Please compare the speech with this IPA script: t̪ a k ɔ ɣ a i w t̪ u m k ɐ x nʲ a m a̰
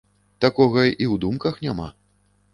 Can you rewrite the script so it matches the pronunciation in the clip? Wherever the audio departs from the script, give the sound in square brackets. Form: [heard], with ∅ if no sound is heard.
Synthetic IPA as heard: t̪ a k ɔ ɣ [ɐ] i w [d̪] u m k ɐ x nʲ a m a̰